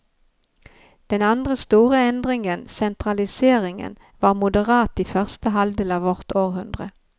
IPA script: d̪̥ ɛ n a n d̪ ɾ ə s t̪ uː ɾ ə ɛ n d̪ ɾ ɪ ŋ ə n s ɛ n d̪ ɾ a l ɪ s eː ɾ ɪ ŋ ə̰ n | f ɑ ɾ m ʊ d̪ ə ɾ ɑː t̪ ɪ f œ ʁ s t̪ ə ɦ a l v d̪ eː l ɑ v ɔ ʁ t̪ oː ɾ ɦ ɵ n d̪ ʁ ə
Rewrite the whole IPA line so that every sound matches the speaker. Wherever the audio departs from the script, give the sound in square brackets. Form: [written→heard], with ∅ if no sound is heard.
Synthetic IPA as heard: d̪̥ ɛ n a n d̪ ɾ ə s t̪ uː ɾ ə ɛ n d̪ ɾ ɪ ŋ ə n s ɛ n [d̪→t̪] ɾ a l ɪ s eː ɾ ɪ ŋ ə̰ n | [f→v] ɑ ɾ m ʊ d̪ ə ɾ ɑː t̪ ɪ f œ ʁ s t̪ ə ɦ a l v d̪ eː l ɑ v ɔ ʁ t̪ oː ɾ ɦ ɵ n d̪ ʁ ə

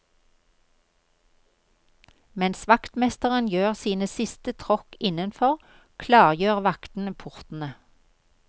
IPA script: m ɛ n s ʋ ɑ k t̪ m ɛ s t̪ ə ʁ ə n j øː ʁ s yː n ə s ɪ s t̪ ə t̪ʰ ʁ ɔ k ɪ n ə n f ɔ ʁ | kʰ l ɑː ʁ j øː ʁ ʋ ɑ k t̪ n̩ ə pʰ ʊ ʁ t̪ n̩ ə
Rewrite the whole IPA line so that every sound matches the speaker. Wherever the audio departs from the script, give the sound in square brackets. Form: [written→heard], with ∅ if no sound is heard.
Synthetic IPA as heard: m ɛ n s ʋ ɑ k t̪ m ɛ s t̪ ə ʁ ə n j øː ʁ s [yː→iː] n ə s ɪ s t̪ ə t̪ʰ ʁ ɔ k ɪ n ə n f ɔ ʁ | kʰ l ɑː ʁ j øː ʁ ʋ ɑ k t̪ n̩ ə pʰ ʊ ʁ t̪ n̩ ə

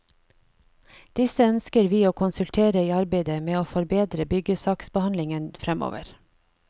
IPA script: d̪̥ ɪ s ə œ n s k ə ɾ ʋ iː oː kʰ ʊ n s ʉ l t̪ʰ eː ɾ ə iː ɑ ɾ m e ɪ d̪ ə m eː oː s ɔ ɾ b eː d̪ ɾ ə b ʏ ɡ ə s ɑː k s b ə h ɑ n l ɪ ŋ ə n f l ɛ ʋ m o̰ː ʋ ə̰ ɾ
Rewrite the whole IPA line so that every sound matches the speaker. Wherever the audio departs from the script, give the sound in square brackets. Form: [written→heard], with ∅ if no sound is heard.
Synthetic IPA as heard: d̪̥ ɪ s ə œ n s k ə ɾ ʋ iː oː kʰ ʊ n s ʉ l t̪ʰ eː ɾ ə iː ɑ ɾ [m→b] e ɪ d̪ ə m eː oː [s→f] ɔ ɾ b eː d̪ ɾ ə b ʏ ɡ ə s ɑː k s b ə h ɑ n l ɪ ŋ ə n f [l→ɾ] ɛ [ʋ→∅] m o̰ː ʋ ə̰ ɾ

